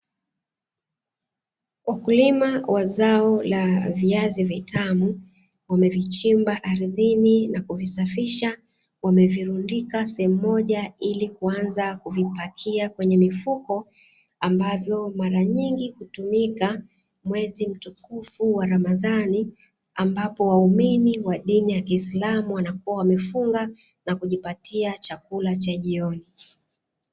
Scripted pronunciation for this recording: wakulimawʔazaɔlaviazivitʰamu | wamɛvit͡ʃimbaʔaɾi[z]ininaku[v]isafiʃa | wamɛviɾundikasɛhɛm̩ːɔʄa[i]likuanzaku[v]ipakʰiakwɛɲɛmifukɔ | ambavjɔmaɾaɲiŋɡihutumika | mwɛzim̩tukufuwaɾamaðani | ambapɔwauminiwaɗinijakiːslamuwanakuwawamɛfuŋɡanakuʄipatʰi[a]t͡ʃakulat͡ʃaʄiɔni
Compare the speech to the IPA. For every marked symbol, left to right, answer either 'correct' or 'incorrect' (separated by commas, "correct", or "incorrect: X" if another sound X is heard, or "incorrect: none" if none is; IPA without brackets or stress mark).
incorrect: ð, correct, correct, correct, correct